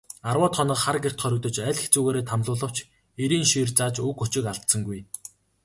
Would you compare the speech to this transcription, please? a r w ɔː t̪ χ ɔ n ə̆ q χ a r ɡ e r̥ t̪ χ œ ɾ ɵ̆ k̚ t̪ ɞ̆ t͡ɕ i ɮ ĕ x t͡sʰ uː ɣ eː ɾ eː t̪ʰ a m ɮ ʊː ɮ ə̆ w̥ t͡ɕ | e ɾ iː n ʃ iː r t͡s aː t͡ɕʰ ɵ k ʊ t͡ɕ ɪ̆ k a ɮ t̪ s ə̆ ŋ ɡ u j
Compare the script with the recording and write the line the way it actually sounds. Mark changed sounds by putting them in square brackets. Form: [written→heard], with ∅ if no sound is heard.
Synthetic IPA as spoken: a r w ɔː t̪ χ ɔ n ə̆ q χ a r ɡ e r̥ t̪ χ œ ɾ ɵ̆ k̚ t̪ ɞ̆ t͡ɕ [i→æ] ɮ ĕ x [t͡sʰ→t͡s] uː ɣ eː ɾ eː t̪ʰ a m ɮ ʊː ɮ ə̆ w̥ t͡ɕ | e ɾ iː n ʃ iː r t͡s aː [t͡ɕʰ→t͡ɕ] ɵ k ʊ t͡ɕ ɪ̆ k a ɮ t̪ s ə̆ ŋ ɡ u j

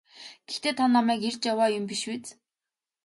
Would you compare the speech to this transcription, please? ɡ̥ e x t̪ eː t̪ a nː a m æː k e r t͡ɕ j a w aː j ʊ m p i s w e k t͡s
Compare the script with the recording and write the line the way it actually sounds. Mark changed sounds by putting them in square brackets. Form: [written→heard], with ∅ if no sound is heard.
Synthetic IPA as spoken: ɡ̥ e x t̪ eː [t̪→t̪ʰ] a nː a m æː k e r t͡ɕ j a w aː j ʊ m p i [s→ʃ] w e [k→∅] t͡s

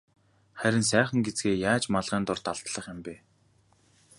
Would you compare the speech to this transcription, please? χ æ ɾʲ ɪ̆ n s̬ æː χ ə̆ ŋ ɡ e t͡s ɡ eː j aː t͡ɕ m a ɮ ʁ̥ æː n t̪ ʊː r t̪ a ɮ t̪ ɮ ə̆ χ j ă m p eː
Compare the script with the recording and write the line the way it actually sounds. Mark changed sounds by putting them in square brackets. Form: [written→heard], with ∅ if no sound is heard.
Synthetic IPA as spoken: χ æ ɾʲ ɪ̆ n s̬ æː χ ə̆ ŋ ɡ e t͡s ɡ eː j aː t͡ɕ m a ɮ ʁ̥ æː n t̪ [ʊː→ʊ] r t̪ a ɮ t̪ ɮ ə̆ χ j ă m p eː

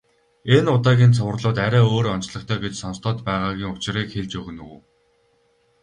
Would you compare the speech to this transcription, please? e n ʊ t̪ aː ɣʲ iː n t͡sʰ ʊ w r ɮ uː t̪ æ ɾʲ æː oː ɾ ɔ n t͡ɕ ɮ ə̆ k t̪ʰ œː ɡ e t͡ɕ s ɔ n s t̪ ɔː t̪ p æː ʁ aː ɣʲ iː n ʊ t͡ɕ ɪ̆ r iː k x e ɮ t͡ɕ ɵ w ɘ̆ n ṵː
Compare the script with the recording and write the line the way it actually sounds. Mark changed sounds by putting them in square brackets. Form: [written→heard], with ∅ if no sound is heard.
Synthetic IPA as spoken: e n ʊ t̪ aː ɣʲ iː n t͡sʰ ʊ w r ɮ [uː→ʊː] t̪ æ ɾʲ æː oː ɾ ɔ n t͡ɕ ɮ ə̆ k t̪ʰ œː ɡ e t͡ɕ s ɔ n s t̪ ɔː t̪ p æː ʁ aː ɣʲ iː [n→ŋ] ʊ t͡ɕ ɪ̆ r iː k x e ɮ t͡ɕ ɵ [w→ɣ] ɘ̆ n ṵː

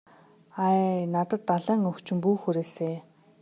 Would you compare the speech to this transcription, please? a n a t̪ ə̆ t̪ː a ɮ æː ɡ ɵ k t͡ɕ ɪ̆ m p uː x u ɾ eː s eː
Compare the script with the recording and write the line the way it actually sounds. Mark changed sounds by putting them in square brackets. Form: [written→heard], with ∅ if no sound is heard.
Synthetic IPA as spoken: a n a t̪ ə̆ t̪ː a ɮ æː [ɡ→ŋ] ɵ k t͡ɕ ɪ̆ m p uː x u ɾ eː s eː

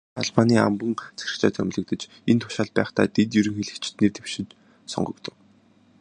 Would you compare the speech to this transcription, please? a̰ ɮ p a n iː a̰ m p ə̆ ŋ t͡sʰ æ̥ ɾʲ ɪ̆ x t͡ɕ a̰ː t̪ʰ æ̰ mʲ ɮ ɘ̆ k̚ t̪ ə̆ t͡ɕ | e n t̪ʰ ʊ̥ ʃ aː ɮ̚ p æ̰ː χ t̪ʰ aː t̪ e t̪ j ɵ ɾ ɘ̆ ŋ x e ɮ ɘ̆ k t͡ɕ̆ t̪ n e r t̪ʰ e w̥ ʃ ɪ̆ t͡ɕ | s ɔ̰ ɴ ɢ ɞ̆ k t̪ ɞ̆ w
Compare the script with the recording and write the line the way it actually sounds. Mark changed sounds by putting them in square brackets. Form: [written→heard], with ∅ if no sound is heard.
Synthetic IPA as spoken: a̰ ɮ p a n iː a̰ m p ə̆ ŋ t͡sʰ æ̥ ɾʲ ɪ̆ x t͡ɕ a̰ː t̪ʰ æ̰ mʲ ɮ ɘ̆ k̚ t̪ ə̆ t͡ɕ | e n t̪ʰ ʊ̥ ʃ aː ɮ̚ p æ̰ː χ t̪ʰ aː t̪ e t̪ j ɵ ɾ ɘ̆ ŋ x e ɮ ɘ̆ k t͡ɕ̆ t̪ n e r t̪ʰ e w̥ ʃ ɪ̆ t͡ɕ | s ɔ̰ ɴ ɢ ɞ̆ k t̪ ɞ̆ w

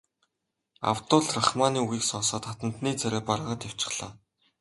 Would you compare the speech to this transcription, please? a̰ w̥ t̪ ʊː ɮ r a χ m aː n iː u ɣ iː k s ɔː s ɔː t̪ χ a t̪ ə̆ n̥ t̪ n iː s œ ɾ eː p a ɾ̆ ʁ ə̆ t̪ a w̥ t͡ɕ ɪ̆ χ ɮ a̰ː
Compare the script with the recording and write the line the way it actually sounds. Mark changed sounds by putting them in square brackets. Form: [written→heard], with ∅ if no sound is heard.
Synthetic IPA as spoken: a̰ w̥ t̪ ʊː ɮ r a χ m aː n iː u ɣ iː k s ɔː s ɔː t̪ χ a t̪ ə̆ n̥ t̪ n iː [s→t͡s] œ ɾ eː p a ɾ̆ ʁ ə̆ t̪ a w̥ t͡ɕ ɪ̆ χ ɮ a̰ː

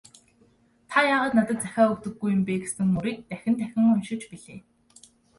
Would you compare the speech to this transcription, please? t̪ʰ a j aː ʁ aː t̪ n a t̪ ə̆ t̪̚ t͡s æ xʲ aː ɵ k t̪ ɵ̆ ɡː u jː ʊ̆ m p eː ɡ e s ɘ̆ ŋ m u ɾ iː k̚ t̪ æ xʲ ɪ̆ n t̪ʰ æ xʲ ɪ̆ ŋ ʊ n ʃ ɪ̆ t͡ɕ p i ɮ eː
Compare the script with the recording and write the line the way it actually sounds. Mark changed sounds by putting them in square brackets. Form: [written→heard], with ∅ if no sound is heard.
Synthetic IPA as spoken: t̪ʰ a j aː ʁ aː t̪ n a t̪ ə̆ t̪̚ t͡s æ xʲ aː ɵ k t̪ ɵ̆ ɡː u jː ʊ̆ m p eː ɡ e s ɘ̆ ŋ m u ɾ iː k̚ t̪ æ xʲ ɪ̆ n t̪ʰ æ xʲ ɪ̆ ŋ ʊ n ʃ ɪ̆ t͡ɕ p i ɮ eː

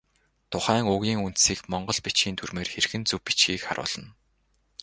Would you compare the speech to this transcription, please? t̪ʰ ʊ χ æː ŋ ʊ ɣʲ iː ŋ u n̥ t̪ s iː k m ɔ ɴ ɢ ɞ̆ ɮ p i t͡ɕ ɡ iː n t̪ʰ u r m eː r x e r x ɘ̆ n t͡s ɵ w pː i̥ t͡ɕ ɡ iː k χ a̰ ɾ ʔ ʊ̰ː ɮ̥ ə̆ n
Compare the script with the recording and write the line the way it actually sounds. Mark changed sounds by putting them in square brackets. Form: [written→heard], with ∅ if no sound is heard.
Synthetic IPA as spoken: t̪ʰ ʊ χ æː ŋ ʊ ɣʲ iː ŋ u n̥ t̪ s iː k m ɔ ɴ ɢ ɞ̆ ɮ p i t͡ɕ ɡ iː n t̪ʰ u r m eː r x e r x ɘ̆ n t͡s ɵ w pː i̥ t͡ɕ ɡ iː k χ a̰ ɾ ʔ ʊ̰ː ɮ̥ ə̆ n

